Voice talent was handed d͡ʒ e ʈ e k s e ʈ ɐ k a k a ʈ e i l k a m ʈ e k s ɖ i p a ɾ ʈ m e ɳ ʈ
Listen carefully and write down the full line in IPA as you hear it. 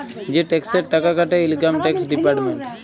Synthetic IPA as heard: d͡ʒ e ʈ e k s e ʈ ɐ k a k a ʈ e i l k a m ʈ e k s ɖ i p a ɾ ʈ m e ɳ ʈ